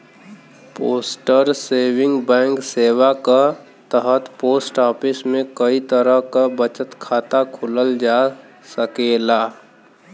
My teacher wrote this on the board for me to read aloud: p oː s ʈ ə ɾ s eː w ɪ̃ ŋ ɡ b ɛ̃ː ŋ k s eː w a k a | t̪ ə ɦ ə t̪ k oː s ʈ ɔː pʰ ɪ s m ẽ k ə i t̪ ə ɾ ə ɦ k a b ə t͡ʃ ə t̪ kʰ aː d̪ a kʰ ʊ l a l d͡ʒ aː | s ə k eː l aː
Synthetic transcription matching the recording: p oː s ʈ ə ɾ s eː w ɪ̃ ŋ ɡ b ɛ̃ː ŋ k s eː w a k a | t̪ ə ɦ ə t̪ p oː s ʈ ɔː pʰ ɪ s m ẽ k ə i t̪ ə ɾ ə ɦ k a b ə t͡ʃ ə t̪ kʰ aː t̪ a kʰ ʊ l ə l d͡ʒ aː | s ə k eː l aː